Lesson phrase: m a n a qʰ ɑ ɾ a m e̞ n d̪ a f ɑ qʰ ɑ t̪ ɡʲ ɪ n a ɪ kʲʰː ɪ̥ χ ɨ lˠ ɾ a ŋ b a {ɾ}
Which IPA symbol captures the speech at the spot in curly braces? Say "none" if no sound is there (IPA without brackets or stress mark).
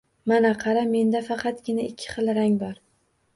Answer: ɾ